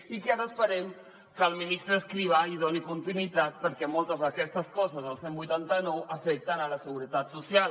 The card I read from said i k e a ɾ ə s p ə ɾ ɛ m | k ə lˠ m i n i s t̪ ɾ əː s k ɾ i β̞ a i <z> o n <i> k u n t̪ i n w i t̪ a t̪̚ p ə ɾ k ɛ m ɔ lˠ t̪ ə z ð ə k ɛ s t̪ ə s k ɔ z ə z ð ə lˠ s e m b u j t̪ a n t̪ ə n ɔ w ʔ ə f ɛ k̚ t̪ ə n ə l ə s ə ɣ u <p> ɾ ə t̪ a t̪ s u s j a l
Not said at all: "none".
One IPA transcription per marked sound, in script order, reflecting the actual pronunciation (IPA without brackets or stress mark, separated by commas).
ð, i, none